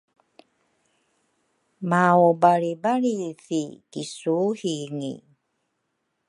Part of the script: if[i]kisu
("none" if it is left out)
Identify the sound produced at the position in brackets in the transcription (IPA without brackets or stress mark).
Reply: i